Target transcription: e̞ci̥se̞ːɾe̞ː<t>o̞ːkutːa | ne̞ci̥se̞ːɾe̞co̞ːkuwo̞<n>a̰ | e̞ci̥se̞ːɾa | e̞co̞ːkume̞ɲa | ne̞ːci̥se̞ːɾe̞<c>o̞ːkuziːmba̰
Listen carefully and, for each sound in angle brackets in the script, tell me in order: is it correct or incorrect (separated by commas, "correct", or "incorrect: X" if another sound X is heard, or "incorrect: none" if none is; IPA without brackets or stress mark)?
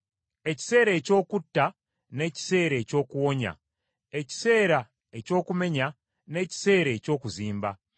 incorrect: c, incorrect: ɲ, correct